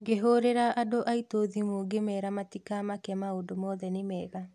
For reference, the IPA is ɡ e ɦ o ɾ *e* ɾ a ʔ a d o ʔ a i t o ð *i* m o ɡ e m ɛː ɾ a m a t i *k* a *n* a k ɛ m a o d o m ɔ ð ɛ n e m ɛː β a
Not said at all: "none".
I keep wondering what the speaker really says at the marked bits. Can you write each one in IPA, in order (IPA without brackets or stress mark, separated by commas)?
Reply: e, i, k, m